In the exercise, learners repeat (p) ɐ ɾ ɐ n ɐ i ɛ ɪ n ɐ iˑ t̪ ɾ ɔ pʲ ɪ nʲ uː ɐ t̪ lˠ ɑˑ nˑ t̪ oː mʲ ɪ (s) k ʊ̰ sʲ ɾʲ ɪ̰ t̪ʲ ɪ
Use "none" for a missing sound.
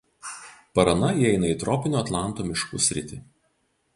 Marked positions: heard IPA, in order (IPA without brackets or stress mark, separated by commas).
p, ʃ